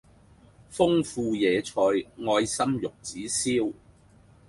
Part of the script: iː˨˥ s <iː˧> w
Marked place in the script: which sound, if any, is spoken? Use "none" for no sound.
iː˥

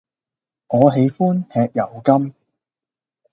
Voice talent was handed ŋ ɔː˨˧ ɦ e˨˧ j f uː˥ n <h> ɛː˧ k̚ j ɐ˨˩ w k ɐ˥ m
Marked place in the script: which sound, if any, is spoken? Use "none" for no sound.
h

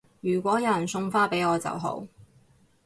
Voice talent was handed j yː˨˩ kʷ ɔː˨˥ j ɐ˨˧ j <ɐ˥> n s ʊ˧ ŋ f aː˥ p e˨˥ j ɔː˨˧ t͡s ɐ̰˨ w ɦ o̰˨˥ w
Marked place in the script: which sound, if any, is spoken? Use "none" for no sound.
ɐ˨˩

